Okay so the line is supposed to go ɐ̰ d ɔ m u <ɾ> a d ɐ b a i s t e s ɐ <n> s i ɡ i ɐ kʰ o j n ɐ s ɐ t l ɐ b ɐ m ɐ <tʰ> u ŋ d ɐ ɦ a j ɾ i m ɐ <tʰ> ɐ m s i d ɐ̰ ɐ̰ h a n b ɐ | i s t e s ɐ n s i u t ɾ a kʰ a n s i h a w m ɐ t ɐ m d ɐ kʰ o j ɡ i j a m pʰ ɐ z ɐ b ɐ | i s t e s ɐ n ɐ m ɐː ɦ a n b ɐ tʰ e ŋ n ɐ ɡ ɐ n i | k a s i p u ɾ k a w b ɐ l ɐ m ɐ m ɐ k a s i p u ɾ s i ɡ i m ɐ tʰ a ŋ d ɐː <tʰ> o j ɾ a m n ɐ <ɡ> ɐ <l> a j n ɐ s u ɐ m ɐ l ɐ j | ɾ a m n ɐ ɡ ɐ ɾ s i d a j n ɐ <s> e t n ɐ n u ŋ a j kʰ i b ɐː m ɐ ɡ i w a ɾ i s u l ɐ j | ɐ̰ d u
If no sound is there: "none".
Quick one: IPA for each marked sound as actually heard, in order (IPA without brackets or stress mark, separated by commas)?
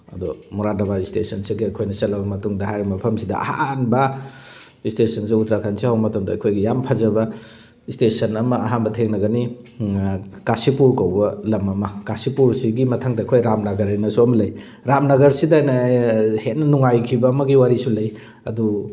ɾ, n, t, pʰ, kʰ, ɡ, ɾ, h